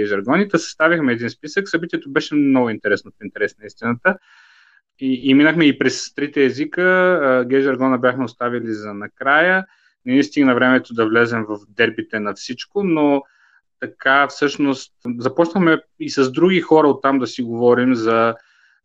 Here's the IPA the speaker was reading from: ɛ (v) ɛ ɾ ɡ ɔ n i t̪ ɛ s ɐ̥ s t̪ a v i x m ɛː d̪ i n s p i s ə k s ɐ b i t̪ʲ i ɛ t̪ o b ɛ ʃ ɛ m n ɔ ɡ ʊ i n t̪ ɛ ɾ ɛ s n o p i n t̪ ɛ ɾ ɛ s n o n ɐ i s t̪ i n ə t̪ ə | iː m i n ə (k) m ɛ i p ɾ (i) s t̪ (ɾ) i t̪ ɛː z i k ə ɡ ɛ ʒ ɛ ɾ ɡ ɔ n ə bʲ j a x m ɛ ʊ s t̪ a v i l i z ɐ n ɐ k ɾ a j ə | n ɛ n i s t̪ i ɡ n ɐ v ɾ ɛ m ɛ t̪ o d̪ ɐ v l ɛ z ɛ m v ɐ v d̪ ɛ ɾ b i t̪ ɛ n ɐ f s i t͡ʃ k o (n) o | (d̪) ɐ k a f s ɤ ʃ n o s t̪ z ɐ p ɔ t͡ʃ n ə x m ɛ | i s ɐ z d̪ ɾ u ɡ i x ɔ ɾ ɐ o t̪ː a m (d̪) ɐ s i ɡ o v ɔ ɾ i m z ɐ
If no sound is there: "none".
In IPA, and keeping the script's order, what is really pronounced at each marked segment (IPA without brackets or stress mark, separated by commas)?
ʒ, x, ɛ, ɾ, n, t̪, d̪